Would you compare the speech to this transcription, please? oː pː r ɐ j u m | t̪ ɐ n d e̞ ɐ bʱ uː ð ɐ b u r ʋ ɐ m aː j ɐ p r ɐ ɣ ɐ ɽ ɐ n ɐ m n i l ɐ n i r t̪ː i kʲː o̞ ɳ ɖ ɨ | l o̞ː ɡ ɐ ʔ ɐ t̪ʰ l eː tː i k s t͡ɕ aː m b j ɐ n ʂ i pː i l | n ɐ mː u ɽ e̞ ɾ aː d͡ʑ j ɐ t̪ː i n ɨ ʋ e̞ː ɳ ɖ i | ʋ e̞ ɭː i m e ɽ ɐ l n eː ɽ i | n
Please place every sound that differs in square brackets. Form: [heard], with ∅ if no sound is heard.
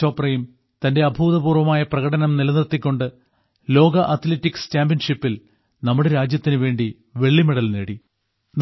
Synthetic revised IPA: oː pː r ɐ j u m | t̪ ɐ n d e̞ ɐ bʱ uː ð ɐ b [uː] r ʋ ɐ m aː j ɐ p r ɐ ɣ ɐ ɽ ɐ n ɐ m n i l ɐ n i r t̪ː i kʲː o̞ ɳ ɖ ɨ | l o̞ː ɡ ɐ ʔ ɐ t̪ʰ l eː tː i k s t͡ɕ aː m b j ɐ n ʂ i pː i l | n ɐ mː u ɽ e̞ ɾ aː d͡ʑ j ɐ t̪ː i n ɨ ʋ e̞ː ɳ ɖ i | ʋ e̞ ɭː i m e ɽ ɐ l n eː ɽ i | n